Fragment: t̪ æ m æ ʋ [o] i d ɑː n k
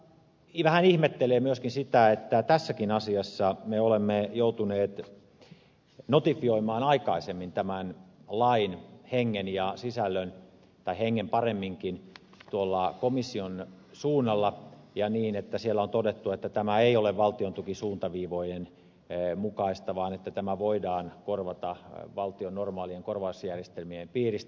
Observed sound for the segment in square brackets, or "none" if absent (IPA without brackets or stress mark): o